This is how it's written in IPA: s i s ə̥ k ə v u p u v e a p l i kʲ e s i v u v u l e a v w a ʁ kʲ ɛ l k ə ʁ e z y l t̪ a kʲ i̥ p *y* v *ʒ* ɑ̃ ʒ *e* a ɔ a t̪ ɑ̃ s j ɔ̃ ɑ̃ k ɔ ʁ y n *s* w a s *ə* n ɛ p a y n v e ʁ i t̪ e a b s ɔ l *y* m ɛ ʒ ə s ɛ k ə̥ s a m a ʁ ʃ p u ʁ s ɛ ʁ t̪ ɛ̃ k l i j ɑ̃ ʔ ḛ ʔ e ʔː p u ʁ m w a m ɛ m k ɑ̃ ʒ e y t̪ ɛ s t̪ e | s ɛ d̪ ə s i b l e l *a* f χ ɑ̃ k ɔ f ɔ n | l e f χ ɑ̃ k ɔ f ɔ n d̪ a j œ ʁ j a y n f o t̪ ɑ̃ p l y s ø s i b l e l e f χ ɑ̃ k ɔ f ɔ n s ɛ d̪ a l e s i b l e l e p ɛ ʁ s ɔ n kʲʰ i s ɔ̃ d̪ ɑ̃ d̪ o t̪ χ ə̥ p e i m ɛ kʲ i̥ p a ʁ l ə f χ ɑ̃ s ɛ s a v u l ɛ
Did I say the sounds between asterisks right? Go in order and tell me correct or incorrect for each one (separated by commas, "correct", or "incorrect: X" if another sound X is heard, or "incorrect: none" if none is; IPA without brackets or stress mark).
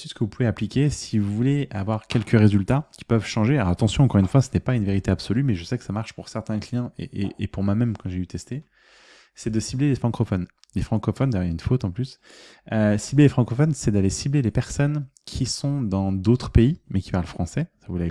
incorrect: œ, incorrect: ʃ, correct, incorrect: f, correct, correct, incorrect: e